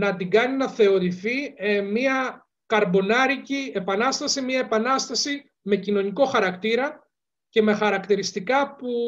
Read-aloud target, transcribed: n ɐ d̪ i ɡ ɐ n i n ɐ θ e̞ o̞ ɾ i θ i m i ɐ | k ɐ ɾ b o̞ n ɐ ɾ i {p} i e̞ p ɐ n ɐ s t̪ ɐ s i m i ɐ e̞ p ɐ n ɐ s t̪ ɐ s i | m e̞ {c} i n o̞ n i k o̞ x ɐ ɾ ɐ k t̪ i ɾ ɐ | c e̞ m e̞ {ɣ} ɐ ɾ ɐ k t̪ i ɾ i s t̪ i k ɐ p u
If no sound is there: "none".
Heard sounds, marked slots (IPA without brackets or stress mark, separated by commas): c, c, x